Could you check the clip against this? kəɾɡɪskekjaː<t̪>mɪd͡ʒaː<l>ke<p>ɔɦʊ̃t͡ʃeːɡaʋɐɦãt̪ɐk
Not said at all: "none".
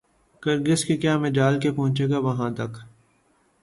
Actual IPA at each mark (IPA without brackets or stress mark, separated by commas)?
none, l, p